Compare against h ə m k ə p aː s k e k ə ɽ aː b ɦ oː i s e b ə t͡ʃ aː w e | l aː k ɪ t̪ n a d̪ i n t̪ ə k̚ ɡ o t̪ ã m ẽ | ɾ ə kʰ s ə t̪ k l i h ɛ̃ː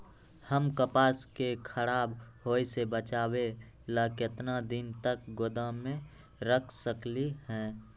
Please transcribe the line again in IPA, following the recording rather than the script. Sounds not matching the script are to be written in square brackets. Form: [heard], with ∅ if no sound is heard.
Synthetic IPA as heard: h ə m k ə p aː s k e [kʰ] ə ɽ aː b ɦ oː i s e b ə t͡ʃ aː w e | l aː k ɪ t̪ n a d̪ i n t̪ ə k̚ ɡ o [d̪] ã m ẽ | ɾ ə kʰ s ə [∅] k l i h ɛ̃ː